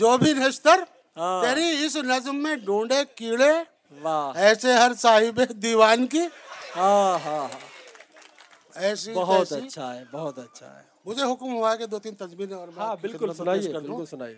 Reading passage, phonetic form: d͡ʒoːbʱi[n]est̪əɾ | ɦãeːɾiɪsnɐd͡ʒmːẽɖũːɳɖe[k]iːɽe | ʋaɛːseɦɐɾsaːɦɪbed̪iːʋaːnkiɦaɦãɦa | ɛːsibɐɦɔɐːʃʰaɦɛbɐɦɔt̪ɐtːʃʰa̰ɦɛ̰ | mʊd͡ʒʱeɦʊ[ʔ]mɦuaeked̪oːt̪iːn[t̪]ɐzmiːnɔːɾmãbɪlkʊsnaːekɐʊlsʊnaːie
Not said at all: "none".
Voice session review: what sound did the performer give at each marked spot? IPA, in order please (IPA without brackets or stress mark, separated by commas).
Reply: n, k, k, t̪